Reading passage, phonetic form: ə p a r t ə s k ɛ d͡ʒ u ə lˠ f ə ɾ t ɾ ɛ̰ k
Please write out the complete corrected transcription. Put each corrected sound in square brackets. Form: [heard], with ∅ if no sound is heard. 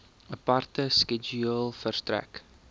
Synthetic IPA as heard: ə p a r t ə s k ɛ d͡ʒ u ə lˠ f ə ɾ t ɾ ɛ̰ k